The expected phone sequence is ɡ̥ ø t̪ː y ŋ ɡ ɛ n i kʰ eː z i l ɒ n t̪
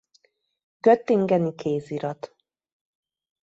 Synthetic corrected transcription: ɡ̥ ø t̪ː i ŋ ɡ ɛ n i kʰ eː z i ɾ ɒ t̪